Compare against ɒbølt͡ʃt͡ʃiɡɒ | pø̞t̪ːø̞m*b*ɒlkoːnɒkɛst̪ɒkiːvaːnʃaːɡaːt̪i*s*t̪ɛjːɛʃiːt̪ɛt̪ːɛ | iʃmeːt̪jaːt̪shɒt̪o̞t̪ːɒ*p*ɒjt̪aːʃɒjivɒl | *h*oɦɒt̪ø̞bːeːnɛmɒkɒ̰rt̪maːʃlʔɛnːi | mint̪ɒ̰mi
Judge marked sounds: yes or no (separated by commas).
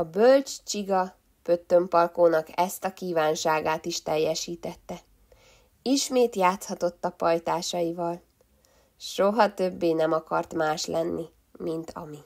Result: no, no, yes, no